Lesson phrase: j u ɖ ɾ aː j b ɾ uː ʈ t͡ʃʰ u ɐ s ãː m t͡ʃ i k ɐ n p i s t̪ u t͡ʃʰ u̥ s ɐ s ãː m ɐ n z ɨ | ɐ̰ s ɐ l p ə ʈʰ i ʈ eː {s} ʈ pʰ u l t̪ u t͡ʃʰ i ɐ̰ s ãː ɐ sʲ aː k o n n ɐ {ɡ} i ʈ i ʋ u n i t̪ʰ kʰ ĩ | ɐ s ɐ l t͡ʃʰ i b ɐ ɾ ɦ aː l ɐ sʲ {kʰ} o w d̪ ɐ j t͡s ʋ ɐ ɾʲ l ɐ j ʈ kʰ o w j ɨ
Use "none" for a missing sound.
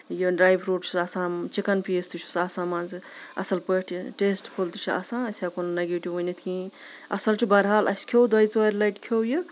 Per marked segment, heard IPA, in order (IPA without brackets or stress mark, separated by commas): s, ɡ, kʰ